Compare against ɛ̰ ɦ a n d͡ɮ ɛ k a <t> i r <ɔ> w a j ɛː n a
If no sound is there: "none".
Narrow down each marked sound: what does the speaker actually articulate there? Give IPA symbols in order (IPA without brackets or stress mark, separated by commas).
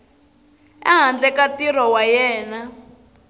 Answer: t, ɔ